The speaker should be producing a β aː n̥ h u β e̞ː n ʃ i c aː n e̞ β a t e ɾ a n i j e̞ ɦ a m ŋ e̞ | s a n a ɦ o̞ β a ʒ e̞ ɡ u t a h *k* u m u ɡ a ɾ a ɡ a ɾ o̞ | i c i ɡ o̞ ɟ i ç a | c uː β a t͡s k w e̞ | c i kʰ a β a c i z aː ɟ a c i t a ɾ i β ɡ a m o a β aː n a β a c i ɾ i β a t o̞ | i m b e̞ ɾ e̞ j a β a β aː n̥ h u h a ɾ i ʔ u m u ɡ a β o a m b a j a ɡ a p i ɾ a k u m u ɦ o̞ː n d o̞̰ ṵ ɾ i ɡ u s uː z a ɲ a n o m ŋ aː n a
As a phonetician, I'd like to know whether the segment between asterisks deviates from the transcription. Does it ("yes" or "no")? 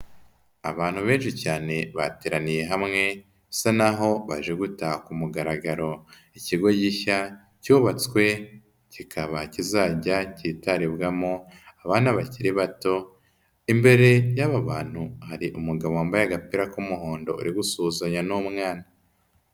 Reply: no